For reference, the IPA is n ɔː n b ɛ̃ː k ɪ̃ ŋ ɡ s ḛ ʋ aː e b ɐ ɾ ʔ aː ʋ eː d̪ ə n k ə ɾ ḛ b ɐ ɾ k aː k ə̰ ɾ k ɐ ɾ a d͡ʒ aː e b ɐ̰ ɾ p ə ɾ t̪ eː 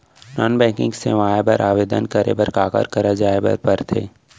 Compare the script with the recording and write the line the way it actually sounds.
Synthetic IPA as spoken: n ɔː n b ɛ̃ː k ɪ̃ ŋ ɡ s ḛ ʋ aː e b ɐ ɾ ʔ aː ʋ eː d̪ ə n k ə ɾ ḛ b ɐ ɾ k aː k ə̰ ɾ k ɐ ɾ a d͡ʒ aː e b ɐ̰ ɾ p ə ɾ t̪ʰ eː